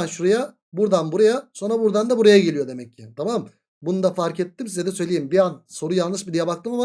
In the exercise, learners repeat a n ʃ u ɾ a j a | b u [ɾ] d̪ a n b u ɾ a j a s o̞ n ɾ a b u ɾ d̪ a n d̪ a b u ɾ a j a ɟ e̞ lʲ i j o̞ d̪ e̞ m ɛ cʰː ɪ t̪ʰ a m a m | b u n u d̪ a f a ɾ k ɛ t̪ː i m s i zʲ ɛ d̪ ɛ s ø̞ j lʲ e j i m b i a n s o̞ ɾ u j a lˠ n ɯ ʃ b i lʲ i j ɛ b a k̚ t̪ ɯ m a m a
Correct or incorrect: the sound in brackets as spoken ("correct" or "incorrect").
correct